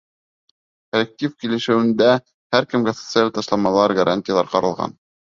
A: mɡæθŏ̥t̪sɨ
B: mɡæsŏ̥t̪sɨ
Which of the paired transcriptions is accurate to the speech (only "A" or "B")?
B